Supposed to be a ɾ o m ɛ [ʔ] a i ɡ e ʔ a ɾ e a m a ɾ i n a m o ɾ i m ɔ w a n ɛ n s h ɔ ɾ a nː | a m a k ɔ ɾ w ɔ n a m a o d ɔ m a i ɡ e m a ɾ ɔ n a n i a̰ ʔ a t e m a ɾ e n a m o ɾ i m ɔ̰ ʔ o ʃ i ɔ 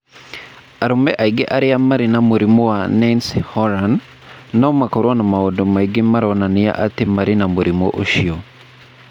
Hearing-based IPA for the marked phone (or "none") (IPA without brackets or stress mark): ʔ